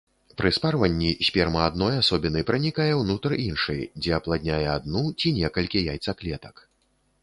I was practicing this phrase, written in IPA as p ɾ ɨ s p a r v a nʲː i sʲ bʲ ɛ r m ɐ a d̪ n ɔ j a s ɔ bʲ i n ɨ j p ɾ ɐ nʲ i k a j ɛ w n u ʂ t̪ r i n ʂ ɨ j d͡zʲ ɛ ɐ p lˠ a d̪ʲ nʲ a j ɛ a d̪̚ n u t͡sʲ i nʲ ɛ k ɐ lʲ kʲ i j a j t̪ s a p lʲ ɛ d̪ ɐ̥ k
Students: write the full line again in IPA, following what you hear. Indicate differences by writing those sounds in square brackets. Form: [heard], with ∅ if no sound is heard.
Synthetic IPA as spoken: p ɾ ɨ s p a r v [ɐ] nʲː i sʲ [pʲ] ɛ r m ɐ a d̪ n ɔ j a s ɔ bʲ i n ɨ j p ɾ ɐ nʲ i k a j ɛ w n u [∅] t̪ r i n ʂ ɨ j d͡zʲ ɛ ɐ p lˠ a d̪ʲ nʲ a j ɛ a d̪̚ n u t͡sʲ i nʲ ɛ k ɐ lʲ kʲ i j a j t̪ s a [k] lʲ ɛ [t̪] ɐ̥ k